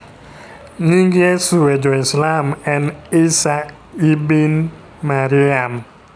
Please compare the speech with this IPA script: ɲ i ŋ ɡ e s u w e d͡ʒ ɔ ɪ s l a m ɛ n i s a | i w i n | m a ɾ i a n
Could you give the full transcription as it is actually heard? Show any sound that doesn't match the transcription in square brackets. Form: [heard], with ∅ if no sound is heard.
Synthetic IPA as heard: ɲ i ŋ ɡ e s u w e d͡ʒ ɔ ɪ s l a m ɛ n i s a | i [b] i n | m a ɾ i a [m]